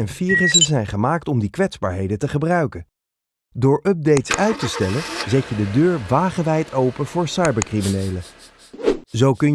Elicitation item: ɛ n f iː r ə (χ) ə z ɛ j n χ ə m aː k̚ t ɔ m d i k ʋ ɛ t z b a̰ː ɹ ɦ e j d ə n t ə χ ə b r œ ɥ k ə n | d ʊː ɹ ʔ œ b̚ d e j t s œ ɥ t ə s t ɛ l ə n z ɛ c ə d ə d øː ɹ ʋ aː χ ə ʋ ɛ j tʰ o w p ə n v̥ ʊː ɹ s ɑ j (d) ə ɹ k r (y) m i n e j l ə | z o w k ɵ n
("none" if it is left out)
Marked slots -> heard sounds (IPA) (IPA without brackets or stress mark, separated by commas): s, b, i